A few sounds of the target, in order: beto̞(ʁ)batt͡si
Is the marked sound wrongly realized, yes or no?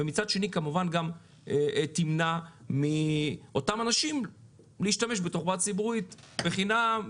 yes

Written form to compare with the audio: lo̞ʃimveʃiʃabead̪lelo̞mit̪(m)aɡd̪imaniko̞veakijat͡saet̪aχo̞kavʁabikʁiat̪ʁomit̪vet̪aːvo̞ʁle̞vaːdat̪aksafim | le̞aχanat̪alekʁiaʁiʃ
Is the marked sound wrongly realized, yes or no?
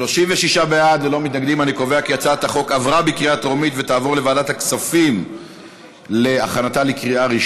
yes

